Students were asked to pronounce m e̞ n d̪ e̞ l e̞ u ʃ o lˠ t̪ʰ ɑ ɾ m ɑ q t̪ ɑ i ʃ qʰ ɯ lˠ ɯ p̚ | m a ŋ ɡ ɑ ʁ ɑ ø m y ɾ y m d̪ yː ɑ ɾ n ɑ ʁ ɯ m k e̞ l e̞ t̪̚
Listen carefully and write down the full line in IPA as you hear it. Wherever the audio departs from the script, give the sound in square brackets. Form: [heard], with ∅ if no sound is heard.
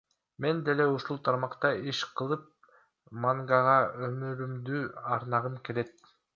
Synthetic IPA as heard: m e̞ n d̪ e̞ l e̞ u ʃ [u] lˠ t̪ʰ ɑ ɾ m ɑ q t̪ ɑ i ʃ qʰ ɯ lˠ ɯ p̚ | m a ŋ ɡ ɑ ʁ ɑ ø m y ɾ y m d̪ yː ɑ ɾ n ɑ ʁ ɯ m k e̞ l e̞ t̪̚